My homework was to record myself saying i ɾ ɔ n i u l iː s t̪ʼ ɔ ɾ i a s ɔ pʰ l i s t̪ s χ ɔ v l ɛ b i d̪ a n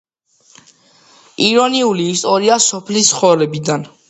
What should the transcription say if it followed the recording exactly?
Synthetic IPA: i ɾ ɔ n i u l iː s t̪ʼ ɔ ɾ i a s ɔ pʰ l i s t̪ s χ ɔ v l ɛ b i d̪ a n

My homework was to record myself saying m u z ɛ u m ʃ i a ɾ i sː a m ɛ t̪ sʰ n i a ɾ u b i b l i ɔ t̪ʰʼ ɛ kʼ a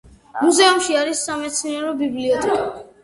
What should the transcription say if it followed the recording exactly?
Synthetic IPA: m u z ɛ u m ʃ i a ɾ i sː a m ɛ t̪ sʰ n i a ɾ ɔ b i b l i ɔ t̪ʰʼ ɛ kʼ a

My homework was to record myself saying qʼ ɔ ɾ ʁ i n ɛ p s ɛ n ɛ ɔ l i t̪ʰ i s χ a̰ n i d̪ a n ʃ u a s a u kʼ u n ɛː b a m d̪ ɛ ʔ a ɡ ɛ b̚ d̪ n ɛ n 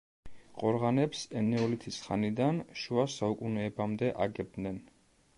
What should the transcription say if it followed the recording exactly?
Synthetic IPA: qʼ ɔ ɾ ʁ a n ɛ p s ɛ n ɛ ɔ l i t̪ʰ i s χ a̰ n i d̪ a n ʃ u a s a u kʼ u n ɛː b a m d̪ ɛ ʔ a ɡ ɛ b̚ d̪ n ɛ n

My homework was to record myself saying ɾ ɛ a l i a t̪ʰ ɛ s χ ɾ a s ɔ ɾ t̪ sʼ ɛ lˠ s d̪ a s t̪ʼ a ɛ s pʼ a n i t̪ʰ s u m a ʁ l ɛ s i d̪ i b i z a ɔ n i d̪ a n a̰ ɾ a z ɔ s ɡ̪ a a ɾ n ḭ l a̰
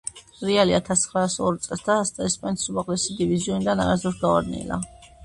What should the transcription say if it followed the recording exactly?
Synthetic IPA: ɾ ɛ a l i a t̪ʰ a s χ ɾ a s ɔ ɾ t̪ sʼ ɛ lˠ s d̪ a s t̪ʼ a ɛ s pʼ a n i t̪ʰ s u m a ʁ l ɛ s i d̪ i v i z i ɔ n i d̪ a n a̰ ɾ a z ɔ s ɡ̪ a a ɾ n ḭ l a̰

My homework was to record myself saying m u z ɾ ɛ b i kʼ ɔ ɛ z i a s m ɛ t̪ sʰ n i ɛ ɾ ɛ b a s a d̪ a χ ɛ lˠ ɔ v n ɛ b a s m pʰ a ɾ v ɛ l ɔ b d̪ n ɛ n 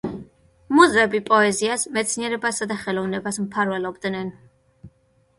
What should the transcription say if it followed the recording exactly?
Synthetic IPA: m u z ɾ ɛ b i pʼ ɔ ɛ z i a s m ɛ t̪ sʰ n i ɛ ɾ ɛ b a s a d̪ a χ ɛ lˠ ɔ v n ɛ b a s m pʰ a ɾ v ɛ l ɔ b d̪ n ɛ n

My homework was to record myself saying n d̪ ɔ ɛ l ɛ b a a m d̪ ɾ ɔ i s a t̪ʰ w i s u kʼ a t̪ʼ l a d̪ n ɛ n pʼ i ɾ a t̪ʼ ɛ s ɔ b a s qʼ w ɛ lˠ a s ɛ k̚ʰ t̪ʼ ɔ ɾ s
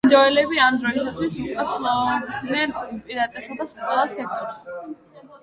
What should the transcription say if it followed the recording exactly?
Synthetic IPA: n d̪ ɔ ɛ l ɛ b i a m d̪ ɾ ɔ i s a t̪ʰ w i s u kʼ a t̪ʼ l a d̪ n ɛ n pʼ i ɾ a t̪ʼ ɛ s ɔ b a s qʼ w ɛ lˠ a s ɛ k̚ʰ t̪ʼ ɔ ɾ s

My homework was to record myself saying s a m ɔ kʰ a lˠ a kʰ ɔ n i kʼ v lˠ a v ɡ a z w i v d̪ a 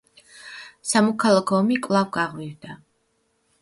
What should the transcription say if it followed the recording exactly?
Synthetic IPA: s a m ɔ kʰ a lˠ a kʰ ɔ m i kʼ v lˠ a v ɡ a ʁ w i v d̪ a

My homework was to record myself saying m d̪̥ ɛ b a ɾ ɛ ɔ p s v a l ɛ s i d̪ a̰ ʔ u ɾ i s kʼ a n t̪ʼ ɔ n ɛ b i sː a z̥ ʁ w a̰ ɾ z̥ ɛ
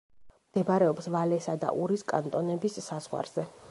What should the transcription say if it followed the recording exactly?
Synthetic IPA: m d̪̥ ɛ b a ɾ ɛ ɔ p s v a l ɛ s a d̪ a̰ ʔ u ɾ i s kʼ a n t̪ʼ ɔ n ɛ b i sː a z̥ ʁ w a̰ ɾ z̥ ɛ

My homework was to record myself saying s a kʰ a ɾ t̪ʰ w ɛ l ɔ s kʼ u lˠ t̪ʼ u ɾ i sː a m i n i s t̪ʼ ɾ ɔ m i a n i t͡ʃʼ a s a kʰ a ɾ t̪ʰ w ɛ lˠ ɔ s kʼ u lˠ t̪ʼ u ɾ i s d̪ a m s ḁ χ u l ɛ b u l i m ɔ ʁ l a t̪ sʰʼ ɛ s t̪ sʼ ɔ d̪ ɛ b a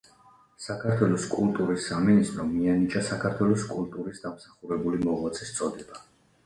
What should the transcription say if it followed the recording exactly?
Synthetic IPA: s a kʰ a ɾ t̪ʰ w ɛ l ɔ s kʼ u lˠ t̪ʼ u ɾ i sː a m i n i s t̪ʼ ɾ ɔ m i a n i t͡ʃʼ a s a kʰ a ɾ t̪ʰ w ɛ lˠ ɔ s kʼ u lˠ t̪ʼ u ɾ i s d̪ a m s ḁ χ u ɾ ɛ b u l i m ɔ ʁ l a t̪ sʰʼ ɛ s t̪ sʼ ɔ d̪ ɛ b a

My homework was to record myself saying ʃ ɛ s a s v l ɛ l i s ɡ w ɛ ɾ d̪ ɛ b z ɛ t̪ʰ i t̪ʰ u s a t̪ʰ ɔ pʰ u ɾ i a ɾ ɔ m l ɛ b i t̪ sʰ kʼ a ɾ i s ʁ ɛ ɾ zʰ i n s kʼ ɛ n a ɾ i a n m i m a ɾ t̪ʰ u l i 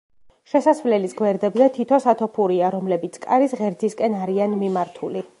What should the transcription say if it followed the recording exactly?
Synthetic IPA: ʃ ɛ s a s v l ɛ l i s ɡ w ɛ ɾ d̪ ɛ b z ɛ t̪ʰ i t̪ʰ ɔ s a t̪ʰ ɔ pʰ u ɾ i a ɾ ɔ m l ɛ b i t̪ sʰ kʼ a ɾ i s ʁ ɛ ɾ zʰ i s kʼ ɛ n a ɾ i a n m i m a ɾ t̪ʰ u l i

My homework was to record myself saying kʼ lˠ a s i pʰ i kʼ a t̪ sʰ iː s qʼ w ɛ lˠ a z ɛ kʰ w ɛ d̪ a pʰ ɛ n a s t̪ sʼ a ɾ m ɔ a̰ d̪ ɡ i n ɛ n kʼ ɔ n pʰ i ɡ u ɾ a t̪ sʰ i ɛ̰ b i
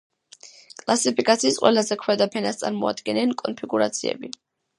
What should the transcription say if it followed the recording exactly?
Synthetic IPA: kʼ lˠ a s i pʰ i kʼ a t̪ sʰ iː s qʼ w ɛ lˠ a z ɛ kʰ w ɛ d̪ a pʰ ɛ n a s t̪ sʼ a ɾ m ɔ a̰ d̪ ɡ ɛ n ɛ n kʼ ɔ n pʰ i ɡ u ɾ a t̪ sʰ i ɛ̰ b i

